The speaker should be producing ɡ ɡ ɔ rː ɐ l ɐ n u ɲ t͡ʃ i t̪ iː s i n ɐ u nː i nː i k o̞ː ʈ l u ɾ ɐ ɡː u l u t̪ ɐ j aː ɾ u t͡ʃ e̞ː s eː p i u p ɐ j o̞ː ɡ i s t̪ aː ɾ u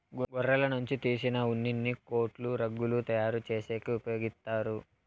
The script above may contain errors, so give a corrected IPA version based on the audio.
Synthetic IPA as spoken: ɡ ɡ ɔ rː ɐ l ɐ n u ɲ t͡ʃ i t̪ iː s i n ɐ u nː i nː i k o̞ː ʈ l u ɾ ɐ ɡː u l u t̪ ɐ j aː ɾ u t͡ʃ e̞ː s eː k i u p ɐ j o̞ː ɡ i s t̪ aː ɾ u

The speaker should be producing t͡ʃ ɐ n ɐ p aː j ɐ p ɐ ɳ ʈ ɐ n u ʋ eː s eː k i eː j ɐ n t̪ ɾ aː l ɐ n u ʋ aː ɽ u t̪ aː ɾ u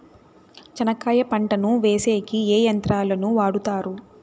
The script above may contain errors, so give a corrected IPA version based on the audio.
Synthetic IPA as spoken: t͡ʃ ɐ n ɐ k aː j ɐ p ɐ ɳ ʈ ɐ n u ʋ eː s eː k i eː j ɐ n t̪ ɾ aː l ɐ n u ʋ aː ɽ u t̪ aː ɾ u

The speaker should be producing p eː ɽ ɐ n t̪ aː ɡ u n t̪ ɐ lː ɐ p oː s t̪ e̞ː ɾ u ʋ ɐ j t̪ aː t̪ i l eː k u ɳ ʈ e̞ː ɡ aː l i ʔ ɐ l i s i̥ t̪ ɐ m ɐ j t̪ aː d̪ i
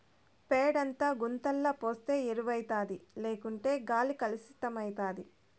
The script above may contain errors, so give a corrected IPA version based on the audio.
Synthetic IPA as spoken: p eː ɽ ɐ n t̪ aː ɡ u n t̪ ɐ lː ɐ p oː s t̪ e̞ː ɾ u ʋ ɐ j t̪ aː d̪ i l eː k u ɳ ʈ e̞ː ɡ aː l i k ɐ l i s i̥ t̪ ɐ m ɐ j t̪ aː d̪ i

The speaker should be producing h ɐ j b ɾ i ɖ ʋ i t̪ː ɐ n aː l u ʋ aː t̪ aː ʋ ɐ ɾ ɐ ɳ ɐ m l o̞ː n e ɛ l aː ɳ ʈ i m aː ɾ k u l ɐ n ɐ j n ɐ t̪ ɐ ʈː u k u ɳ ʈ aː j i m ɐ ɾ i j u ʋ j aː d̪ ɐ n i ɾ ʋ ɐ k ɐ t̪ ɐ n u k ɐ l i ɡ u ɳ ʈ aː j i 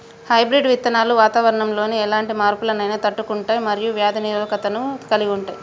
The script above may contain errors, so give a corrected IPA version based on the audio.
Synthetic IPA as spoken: h ɐ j b ɾ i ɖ ʋ i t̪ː ɐ n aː l u ʋ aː t̪ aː ʋ ɐ ɾ ɐ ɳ ɐ m l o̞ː n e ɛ l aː ɳ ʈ i m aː ɾ p u l ɐ n ɐ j n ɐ t̪ ɐ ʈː u k u ɳ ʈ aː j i m ɐ ɾ i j u ʋ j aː d̪ ɐ n i ɾ ʋ ɐ k ɐ t̪ ɐ n u k ɐ l i ɡ u ɳ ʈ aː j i

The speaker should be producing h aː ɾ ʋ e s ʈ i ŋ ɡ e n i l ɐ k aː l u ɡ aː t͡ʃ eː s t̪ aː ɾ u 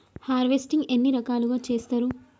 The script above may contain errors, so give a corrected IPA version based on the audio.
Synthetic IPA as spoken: h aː ɾ ʋ e s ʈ i ŋ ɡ e nː i ɾ ɐ k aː l u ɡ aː t͡ʃ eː s t̪ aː ɾ u

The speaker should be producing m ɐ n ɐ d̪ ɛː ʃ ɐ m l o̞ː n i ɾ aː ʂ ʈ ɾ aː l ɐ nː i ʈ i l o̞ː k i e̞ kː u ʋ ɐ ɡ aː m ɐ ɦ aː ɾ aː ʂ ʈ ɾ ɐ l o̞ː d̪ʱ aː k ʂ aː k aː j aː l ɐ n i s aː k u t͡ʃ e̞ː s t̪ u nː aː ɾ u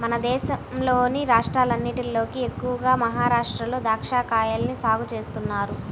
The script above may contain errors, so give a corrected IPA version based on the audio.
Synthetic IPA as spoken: m ɐ n ɐ d̪ ɛː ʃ ɐ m l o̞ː n i ɾ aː ʂ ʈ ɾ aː l ɐ nː i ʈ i l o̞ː k i e̞ kː u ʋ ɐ ɡ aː m ɐ ɦ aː ɾ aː ʂ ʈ ɾ ɐ l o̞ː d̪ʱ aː k ʂ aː k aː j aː l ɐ n i s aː ɡ u t͡ʃ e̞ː s t̪ u nː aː ɾ u

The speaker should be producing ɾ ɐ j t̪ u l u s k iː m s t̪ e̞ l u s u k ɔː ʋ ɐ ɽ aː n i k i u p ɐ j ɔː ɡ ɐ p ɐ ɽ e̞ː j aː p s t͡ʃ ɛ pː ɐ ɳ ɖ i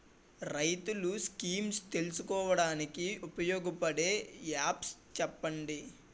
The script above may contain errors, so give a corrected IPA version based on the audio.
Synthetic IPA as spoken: ɾ ɐ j t̪ u l u s k iː m s t̪ e̞ l u s u k ɔː ʋ ɐ ɽ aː n i k i u p ɐ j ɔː ɡ ɐ p ɐ ɽ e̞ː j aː p s t͡ʃ ɛ pː ɐ ɳ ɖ i

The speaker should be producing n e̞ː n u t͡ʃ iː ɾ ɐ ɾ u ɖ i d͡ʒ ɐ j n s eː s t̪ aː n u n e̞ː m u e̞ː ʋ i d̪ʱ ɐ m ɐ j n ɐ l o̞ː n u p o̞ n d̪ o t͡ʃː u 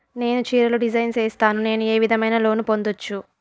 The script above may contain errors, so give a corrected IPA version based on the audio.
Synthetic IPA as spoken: n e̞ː n u t͡ʃ iː ɾ ɐ l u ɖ i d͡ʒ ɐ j n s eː s t̪ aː n u n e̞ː n u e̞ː ʋ i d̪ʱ ɐ m ɐ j n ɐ l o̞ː n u p o̞ n d̪ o t͡ʃː u

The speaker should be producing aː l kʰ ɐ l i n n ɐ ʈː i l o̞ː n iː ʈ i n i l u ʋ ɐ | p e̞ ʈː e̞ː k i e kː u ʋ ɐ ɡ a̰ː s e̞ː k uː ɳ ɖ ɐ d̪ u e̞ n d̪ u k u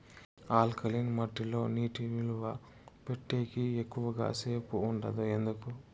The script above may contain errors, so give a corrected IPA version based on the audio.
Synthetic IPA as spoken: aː l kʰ ɐ l i n m ɐ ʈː i l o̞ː n iː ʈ i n i l u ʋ ɐ | p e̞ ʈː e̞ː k i e kː u ʋ ɐ ɡ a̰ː s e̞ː p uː ɳ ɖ ɐ d̪ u e̞ n d̪ u k u

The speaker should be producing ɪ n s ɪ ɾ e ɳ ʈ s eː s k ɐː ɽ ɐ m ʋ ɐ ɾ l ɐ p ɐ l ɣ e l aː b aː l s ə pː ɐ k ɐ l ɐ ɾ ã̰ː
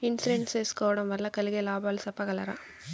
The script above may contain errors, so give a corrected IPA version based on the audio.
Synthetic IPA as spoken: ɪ n s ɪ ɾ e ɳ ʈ s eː s k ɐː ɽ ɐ m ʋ ɐ ɾ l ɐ k ɐ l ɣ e l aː b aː l s ɐ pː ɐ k ɐ l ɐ ɾ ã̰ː

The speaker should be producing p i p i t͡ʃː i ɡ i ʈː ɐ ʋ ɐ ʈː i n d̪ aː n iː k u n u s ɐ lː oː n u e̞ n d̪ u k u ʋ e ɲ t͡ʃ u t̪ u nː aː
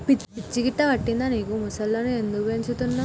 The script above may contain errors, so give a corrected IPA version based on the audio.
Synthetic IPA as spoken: p i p i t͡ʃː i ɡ i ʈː ɐ ʋ ɐ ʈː i n d̪ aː n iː k u m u s ɐ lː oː n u e̞ n d̪ u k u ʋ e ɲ t͡ʃ u t̪ u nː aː

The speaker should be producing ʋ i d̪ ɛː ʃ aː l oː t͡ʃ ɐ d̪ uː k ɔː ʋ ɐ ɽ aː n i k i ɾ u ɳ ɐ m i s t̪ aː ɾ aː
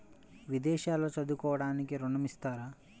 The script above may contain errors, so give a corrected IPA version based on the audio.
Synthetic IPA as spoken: ʋ i d̪ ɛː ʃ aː l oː t͡ʃ ɐ d̪ u k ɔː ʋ ɐ ɽ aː n i k i ɾ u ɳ ɐ m i s t̪ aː ɾ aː

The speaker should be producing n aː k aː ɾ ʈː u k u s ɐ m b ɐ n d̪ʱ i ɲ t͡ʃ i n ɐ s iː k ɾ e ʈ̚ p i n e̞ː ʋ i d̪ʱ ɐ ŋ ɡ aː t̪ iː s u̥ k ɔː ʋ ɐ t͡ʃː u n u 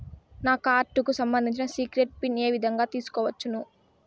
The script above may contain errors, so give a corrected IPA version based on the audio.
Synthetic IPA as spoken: n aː k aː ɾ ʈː u k u s ɐ m b ɐ n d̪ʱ i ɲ t͡ʃ i n ɐ s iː k ɾ e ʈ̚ p i n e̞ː ʋ i d̪ʱ ɐ ŋ ɡ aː t̪ iː s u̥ k ɔː ʋ ɐ t͡ʃː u n u

